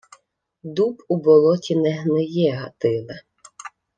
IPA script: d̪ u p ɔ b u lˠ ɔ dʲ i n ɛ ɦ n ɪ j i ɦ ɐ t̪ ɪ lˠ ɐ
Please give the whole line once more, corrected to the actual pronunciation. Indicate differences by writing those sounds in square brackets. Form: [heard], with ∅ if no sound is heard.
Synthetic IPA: d̪ u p [u] b [ɔ] lˠ ɔ [tʲ] i n ɛ ɦ n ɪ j [ɛ] ɦ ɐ t̪ ɪ lˠ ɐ